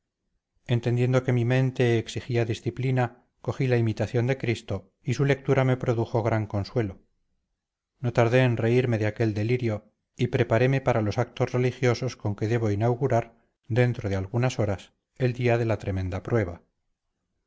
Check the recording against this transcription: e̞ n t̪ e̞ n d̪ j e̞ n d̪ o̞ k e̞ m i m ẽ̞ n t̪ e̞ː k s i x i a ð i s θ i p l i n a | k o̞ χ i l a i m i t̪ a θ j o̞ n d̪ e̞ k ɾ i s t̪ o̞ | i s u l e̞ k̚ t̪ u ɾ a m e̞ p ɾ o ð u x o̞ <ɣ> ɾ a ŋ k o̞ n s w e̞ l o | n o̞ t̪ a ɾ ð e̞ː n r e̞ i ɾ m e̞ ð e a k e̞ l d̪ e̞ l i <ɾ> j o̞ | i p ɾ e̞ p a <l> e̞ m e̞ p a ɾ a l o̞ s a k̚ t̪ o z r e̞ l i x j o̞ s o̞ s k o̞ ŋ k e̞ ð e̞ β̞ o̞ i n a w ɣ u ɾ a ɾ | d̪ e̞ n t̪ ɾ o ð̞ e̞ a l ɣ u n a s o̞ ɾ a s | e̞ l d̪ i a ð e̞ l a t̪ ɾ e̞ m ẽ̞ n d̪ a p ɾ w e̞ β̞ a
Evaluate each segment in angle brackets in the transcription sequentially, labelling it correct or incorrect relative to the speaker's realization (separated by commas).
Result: correct, correct, incorrect